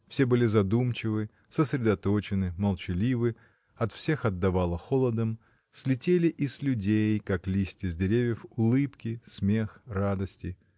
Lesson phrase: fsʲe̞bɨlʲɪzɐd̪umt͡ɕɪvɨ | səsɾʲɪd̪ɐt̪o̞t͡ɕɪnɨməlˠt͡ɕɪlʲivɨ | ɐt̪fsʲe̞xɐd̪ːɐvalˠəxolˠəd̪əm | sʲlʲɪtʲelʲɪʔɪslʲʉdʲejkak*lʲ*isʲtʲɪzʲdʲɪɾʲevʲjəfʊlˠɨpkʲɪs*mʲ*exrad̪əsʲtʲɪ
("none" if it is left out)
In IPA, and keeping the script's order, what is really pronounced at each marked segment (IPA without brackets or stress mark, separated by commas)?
lʲ, mʲ